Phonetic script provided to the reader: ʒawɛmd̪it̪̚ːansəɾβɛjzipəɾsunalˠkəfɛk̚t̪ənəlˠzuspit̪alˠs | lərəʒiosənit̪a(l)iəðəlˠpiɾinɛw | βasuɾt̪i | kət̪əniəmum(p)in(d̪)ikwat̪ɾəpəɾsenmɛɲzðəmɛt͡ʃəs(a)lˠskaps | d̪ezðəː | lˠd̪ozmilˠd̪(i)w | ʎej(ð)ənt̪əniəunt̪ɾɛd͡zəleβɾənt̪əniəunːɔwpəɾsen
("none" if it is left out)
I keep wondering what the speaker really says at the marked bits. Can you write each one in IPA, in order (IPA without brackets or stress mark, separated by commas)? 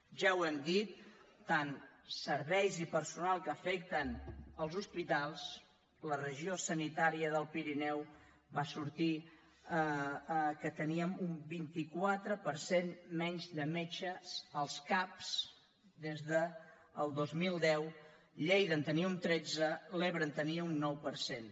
ɾ, b, t̪, ə, ɛ, ð